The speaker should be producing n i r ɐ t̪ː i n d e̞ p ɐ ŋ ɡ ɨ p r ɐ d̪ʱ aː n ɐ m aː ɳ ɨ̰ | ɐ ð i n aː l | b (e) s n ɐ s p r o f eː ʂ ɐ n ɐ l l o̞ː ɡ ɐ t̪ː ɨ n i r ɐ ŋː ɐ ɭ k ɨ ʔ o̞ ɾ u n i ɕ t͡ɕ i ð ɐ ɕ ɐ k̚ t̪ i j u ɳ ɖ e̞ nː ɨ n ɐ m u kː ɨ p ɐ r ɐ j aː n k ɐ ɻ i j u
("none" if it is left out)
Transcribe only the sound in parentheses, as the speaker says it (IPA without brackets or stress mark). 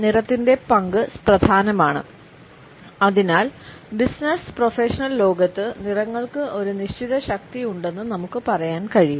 i